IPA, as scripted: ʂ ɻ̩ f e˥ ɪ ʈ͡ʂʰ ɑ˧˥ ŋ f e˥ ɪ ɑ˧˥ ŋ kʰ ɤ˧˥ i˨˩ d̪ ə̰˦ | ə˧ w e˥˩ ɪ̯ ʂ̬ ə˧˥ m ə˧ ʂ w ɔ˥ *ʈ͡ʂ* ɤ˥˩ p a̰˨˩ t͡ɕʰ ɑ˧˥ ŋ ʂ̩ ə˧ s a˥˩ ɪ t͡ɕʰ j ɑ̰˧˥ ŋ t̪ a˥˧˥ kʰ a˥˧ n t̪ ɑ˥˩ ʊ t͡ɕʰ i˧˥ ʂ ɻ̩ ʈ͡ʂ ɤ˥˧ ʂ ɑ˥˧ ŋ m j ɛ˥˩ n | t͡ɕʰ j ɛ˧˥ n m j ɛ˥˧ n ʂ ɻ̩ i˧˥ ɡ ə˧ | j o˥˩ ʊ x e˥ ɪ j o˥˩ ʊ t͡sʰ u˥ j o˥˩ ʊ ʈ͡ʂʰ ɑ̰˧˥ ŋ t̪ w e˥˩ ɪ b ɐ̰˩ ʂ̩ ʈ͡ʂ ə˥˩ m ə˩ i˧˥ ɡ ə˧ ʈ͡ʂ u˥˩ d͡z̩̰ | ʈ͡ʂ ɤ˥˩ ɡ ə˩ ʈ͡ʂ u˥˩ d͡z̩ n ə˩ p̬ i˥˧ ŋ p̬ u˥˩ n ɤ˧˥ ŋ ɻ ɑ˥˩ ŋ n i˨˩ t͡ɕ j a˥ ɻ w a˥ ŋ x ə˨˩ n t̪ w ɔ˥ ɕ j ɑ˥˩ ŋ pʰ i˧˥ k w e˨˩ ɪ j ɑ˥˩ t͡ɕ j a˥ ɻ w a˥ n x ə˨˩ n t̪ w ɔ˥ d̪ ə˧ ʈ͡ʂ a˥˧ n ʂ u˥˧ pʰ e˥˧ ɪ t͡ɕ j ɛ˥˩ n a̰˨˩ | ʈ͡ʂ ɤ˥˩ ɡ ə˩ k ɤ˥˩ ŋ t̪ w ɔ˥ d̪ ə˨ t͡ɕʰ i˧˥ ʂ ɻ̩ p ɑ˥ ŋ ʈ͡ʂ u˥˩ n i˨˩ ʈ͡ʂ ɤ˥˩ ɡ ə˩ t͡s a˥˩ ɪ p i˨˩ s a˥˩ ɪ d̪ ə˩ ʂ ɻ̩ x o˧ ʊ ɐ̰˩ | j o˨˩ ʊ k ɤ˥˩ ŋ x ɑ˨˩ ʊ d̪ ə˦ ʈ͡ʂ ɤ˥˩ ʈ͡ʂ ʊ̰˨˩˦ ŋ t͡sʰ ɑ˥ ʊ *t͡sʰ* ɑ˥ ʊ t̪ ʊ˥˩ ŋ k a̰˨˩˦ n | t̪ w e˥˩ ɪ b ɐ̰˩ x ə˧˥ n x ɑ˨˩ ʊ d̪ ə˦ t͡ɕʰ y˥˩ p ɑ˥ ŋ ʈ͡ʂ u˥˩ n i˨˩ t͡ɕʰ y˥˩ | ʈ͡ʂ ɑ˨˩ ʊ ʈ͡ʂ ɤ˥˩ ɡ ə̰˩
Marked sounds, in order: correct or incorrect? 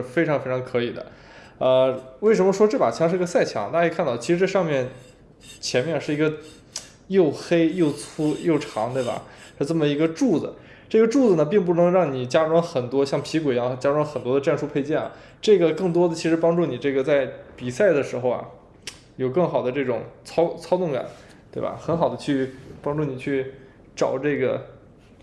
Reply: correct, correct

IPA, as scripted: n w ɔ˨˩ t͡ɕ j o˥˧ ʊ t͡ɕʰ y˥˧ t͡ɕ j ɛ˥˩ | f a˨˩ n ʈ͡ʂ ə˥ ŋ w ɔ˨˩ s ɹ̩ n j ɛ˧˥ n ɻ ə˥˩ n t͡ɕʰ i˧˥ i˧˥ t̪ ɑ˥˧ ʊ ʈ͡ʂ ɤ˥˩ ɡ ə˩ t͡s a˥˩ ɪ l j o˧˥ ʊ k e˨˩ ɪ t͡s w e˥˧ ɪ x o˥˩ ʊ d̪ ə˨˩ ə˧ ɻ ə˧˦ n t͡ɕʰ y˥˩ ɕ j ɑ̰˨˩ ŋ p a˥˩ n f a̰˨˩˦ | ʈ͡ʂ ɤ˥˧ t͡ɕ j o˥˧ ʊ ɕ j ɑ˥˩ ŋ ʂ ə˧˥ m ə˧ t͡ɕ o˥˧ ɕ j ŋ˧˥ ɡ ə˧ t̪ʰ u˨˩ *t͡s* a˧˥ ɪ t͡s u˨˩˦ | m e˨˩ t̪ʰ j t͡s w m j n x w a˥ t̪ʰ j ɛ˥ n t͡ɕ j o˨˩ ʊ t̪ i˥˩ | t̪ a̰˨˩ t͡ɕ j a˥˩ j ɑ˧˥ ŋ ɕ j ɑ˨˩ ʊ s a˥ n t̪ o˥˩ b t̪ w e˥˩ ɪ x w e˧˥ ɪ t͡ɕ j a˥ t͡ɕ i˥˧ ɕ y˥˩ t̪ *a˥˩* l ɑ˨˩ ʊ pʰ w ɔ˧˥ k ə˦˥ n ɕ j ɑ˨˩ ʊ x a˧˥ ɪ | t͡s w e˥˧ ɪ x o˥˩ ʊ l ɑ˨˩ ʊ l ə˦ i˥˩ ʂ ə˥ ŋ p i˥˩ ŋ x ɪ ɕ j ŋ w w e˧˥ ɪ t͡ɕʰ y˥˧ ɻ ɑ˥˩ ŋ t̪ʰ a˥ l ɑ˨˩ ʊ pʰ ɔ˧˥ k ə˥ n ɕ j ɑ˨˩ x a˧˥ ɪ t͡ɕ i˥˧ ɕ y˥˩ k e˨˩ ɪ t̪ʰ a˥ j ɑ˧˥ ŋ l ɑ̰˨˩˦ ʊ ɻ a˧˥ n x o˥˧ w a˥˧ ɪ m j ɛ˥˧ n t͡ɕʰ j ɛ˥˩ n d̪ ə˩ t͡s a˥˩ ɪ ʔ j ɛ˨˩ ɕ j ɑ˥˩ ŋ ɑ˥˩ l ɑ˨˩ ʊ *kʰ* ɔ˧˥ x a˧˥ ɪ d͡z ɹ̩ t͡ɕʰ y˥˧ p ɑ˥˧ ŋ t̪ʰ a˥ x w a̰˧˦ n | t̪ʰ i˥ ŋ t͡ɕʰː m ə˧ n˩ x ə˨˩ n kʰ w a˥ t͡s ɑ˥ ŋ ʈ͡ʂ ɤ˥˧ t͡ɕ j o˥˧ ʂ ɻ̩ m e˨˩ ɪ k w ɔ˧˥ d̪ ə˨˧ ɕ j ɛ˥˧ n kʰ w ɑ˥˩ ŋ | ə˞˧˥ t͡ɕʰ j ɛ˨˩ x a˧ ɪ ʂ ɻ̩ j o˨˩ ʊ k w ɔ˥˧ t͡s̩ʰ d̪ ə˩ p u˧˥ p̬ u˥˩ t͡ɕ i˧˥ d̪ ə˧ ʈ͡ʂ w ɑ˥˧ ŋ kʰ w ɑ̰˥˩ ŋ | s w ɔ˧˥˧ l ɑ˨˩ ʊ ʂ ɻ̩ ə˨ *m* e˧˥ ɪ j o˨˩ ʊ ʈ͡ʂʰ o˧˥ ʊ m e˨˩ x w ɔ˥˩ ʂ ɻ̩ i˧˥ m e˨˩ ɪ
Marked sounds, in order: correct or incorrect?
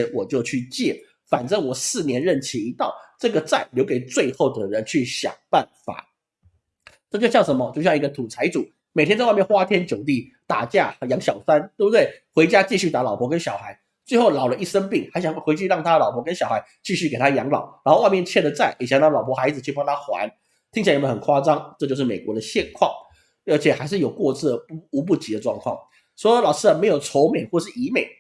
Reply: incorrect: t͡sʰ, incorrect: a˧˥, incorrect: pʰ, correct

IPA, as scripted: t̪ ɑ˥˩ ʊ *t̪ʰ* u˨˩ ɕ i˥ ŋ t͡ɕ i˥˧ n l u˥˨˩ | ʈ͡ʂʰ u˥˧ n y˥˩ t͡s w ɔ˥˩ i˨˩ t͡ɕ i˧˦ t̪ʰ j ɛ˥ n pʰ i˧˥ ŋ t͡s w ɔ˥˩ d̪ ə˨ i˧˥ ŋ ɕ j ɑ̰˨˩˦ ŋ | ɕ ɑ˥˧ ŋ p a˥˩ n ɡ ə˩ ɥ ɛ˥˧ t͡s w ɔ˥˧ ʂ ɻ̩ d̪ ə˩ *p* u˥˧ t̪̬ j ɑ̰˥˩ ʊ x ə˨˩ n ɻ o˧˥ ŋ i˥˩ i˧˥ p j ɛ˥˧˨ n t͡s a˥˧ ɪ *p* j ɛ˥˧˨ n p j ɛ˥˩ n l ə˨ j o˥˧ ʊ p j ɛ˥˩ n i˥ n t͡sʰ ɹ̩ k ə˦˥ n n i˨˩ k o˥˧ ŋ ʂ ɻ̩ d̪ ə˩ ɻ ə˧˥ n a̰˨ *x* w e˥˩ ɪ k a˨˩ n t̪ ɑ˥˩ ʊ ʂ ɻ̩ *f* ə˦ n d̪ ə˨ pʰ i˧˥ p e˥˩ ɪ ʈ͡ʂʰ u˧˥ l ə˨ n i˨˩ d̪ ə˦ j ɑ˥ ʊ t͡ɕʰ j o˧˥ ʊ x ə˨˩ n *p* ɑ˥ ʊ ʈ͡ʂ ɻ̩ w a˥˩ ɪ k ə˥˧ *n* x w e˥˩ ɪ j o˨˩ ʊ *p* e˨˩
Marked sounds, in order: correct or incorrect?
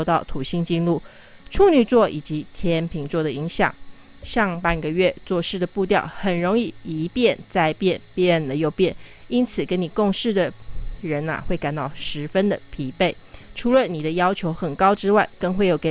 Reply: correct, correct, correct, correct, correct, incorrect: k, incorrect: ŋ, incorrect: k

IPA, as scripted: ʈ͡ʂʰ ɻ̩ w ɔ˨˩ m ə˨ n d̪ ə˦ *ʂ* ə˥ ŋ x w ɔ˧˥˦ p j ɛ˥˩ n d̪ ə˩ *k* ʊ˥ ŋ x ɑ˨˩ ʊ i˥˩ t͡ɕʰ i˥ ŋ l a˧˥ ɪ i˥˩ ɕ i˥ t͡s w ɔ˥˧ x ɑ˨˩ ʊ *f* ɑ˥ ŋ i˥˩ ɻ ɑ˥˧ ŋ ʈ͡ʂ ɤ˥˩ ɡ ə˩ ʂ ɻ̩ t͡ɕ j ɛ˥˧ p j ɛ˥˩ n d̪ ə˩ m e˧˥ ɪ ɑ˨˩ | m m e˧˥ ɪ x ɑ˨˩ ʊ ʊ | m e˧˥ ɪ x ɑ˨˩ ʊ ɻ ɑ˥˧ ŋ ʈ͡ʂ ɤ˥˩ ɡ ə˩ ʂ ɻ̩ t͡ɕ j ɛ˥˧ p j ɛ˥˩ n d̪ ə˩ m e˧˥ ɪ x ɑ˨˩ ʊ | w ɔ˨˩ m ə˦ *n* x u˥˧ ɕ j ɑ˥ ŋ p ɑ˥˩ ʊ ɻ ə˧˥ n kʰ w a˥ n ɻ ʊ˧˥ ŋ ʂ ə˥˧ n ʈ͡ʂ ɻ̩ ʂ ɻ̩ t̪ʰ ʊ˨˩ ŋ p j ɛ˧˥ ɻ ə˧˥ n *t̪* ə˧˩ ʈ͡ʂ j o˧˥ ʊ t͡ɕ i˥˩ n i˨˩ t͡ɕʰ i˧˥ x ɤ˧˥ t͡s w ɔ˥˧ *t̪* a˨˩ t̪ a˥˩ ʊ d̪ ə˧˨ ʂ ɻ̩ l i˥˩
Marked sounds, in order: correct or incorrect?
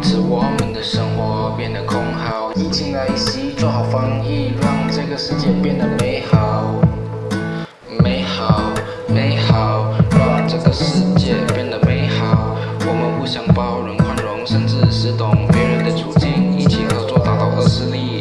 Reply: correct, incorrect: kʰ, correct, correct, incorrect: d̪, correct

